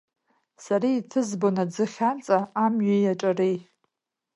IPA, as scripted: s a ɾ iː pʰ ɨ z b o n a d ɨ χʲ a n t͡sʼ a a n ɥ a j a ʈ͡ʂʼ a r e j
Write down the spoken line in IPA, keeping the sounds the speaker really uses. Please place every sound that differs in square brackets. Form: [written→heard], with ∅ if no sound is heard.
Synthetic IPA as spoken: s a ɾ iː [pʰ→tʰ] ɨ z b o n a [d→d͡z] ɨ χʲ a n t͡sʼ a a [n→m] ɥ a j a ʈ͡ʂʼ a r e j